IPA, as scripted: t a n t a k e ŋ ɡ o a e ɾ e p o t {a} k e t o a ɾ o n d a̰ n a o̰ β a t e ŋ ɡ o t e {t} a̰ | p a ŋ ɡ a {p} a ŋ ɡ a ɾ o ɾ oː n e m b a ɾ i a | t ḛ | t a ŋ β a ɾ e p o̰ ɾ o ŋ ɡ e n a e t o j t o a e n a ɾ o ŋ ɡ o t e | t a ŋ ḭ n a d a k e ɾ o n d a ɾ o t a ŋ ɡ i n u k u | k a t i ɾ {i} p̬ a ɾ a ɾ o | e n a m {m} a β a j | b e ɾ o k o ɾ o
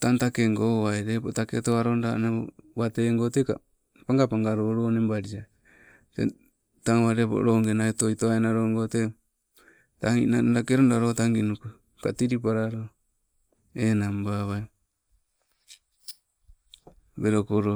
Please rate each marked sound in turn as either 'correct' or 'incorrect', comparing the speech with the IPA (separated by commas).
correct, incorrect, correct, correct, incorrect